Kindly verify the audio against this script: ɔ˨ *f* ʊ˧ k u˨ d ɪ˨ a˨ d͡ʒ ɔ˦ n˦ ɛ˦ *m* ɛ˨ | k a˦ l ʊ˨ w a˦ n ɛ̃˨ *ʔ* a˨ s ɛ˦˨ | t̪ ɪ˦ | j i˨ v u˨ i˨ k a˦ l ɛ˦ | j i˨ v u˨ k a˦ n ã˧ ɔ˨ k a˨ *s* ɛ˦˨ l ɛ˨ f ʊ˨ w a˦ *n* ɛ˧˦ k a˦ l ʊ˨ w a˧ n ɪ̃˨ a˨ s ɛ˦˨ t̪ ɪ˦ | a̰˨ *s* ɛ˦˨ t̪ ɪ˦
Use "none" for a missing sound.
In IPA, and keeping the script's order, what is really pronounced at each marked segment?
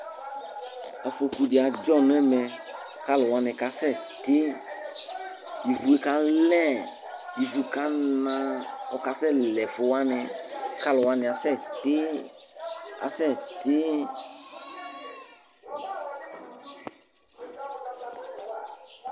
f, m, k, s, n, s

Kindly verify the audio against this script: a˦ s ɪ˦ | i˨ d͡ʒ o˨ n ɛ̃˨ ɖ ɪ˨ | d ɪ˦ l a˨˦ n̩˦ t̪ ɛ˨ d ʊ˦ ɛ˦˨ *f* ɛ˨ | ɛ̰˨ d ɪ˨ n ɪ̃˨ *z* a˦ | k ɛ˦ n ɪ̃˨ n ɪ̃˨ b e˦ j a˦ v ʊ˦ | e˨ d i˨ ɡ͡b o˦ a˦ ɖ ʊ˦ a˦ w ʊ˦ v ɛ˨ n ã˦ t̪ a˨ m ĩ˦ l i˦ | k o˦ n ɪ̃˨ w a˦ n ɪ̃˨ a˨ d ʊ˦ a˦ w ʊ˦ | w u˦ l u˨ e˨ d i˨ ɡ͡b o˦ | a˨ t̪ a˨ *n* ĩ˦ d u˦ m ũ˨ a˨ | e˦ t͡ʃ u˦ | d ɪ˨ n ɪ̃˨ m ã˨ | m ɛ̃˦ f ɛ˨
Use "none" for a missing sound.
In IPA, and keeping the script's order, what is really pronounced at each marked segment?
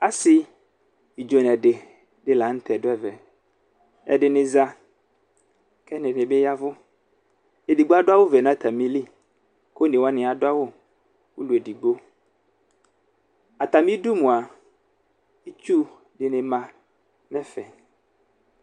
v, z, m

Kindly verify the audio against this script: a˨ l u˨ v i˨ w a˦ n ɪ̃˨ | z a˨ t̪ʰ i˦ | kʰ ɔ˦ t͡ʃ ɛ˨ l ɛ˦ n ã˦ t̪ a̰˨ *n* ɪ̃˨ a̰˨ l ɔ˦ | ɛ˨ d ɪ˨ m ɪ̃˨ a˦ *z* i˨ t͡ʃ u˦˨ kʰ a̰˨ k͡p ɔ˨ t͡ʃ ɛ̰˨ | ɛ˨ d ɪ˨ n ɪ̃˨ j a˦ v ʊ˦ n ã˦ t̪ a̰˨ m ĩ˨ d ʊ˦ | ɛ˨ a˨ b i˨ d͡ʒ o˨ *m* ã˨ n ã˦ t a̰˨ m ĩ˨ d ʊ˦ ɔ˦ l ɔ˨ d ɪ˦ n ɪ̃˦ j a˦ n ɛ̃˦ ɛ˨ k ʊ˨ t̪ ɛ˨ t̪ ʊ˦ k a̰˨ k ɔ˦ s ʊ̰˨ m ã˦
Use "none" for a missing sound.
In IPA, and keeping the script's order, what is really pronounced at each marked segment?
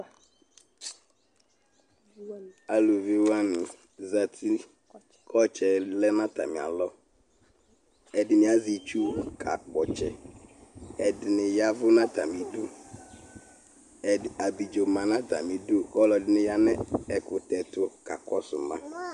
m, z, m

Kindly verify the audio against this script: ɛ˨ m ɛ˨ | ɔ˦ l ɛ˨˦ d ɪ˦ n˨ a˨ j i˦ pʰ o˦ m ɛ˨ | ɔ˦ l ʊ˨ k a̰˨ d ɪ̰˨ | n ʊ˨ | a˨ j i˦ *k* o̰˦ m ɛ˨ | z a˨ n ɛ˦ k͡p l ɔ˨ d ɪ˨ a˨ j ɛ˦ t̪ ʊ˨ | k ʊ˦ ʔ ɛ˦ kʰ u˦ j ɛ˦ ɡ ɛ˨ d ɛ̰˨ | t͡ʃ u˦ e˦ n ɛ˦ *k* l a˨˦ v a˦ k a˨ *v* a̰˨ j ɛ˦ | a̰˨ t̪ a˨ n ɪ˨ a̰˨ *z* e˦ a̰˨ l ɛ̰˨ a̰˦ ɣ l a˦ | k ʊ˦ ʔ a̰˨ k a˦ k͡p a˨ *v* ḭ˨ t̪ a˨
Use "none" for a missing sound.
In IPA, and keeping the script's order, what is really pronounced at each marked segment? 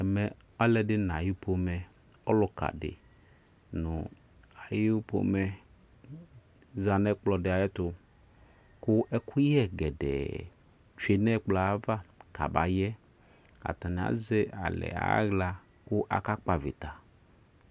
p, k͡p, b, z, v

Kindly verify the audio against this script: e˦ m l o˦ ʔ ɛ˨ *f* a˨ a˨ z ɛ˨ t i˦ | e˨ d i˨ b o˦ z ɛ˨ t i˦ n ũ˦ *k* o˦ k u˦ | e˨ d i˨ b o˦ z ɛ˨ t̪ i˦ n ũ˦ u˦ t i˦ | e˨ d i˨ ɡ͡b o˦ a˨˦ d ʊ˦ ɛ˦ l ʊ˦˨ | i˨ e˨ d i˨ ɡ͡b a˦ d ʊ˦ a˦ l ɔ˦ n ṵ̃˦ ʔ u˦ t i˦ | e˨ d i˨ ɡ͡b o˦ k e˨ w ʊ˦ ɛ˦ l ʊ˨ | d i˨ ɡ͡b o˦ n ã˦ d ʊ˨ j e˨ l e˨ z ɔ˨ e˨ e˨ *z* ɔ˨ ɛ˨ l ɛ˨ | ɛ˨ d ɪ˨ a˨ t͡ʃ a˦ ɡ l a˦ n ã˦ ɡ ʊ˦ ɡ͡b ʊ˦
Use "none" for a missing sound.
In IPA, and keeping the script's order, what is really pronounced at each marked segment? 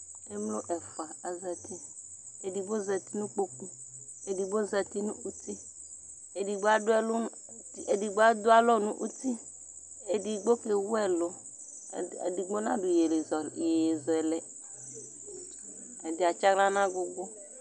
f, k͡p, z

